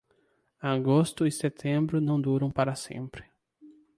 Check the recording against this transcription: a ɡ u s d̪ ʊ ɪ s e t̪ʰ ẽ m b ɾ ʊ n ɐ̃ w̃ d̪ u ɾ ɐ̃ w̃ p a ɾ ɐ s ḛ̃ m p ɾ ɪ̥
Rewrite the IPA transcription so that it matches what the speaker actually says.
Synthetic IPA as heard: a ɡ o s t̪ ʊ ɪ s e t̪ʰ ẽ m b ɾ ʊ n ɐ̃ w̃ d̪ u ɾ ɐ̃ w̃ p a ɾ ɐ s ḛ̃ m p ɾ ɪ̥